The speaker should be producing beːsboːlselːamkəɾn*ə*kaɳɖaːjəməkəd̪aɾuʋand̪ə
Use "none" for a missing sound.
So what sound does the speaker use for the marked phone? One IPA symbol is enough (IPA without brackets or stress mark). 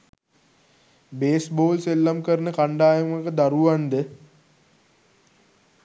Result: ə